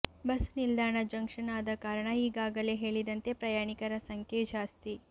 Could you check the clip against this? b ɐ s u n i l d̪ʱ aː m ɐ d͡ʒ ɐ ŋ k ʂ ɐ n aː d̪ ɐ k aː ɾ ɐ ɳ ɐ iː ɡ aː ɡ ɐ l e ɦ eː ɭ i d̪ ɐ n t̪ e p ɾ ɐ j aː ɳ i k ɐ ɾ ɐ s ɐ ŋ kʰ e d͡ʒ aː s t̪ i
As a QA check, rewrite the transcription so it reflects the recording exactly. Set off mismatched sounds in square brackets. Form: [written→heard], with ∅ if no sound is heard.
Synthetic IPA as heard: b ɐ s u n i l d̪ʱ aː [m→ɳ] ɐ d͡ʒ ɐ ŋ k ʂ ɐ n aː d̪ ɐ k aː ɾ ɐ ɳ ɐ iː ɡ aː ɡ ɐ l e ɦ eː ɭ i d̪ ɐ n t̪ e p ɾ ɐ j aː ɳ i k ɐ ɾ ɐ s ɐ ŋ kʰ e d͡ʒ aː s t̪ i